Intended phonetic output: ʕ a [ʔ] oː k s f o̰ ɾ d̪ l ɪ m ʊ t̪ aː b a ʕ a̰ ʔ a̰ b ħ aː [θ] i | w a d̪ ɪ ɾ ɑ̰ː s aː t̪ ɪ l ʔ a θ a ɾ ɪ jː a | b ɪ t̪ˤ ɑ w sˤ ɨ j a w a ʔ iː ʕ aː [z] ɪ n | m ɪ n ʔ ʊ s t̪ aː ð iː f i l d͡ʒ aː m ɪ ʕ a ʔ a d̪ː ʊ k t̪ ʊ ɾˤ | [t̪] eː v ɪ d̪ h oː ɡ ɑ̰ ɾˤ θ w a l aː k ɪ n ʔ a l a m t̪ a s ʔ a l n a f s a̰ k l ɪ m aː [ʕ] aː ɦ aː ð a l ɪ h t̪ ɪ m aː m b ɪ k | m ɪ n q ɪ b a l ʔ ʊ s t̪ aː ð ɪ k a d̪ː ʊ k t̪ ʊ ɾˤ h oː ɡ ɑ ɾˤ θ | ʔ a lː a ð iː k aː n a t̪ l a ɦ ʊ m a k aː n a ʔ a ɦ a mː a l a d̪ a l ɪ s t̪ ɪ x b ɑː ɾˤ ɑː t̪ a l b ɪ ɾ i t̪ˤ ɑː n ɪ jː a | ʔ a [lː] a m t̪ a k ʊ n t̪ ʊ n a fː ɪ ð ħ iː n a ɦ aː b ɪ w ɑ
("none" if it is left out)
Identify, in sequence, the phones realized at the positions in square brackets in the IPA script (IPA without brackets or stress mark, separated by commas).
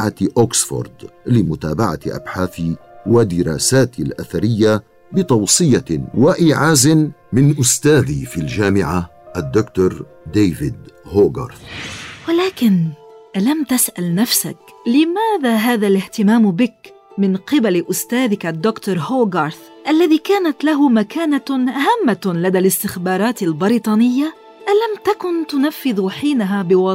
ʔ, θ, z, d̪, ð, l